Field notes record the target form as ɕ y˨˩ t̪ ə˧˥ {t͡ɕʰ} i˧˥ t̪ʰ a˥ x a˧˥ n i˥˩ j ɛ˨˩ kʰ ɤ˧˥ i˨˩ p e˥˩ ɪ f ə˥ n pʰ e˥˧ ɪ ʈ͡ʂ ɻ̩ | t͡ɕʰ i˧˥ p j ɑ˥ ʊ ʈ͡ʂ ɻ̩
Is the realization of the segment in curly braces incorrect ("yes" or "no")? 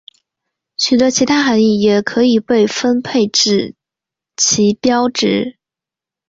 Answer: no